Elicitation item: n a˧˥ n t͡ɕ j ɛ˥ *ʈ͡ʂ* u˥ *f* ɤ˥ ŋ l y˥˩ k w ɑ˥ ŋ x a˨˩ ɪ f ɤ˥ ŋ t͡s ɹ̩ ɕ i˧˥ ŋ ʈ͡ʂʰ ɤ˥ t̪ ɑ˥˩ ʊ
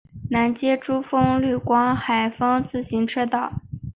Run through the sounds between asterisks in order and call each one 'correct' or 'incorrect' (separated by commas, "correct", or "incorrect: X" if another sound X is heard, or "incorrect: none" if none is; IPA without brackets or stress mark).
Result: correct, correct